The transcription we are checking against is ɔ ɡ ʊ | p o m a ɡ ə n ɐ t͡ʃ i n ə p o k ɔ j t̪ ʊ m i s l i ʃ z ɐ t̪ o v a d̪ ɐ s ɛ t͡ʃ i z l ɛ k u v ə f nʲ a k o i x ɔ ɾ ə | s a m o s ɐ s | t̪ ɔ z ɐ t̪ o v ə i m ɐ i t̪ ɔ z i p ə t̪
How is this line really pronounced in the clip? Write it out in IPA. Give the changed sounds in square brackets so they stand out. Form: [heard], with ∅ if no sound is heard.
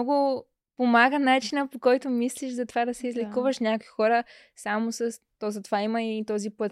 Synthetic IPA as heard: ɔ ɡ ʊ | p o m a ɡ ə n [a] t͡ʃ i n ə p o k ɔ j t̪ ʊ m i s l i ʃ z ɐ t̪ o v a d̪ ɐ s ɛ [∅] i z l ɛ k u v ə [ʃ] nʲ a k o i x ɔ ɾ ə | s a m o s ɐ s | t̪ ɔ z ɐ t̪ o v [a] i m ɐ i t̪ ɔ z i p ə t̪